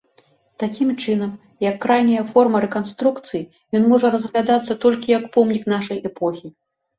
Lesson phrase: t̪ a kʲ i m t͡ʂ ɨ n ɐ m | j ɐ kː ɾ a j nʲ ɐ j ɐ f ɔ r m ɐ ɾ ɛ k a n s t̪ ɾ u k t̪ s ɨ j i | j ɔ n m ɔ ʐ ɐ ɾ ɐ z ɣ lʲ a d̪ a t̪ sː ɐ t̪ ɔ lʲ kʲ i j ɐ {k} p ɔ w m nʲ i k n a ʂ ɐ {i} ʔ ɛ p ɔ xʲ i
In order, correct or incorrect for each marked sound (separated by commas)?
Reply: correct, incorrect